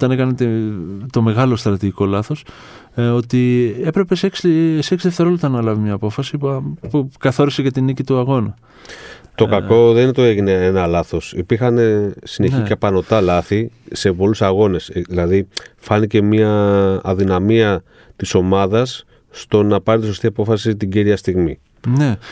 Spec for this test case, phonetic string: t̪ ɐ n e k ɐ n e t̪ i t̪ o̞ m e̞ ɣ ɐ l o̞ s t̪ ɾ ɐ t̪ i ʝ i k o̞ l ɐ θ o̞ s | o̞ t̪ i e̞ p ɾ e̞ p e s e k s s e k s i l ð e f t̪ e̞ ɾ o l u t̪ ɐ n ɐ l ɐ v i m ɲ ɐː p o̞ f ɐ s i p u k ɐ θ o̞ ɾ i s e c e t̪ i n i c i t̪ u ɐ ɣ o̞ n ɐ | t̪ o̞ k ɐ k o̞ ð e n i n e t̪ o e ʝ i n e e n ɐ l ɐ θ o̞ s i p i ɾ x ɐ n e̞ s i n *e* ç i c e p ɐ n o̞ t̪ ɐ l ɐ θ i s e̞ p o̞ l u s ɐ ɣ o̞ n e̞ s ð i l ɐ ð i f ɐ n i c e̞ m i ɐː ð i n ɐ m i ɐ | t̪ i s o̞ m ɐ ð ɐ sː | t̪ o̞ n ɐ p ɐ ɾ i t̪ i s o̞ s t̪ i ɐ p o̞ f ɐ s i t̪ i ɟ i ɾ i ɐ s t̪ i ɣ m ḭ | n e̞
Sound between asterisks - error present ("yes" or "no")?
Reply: no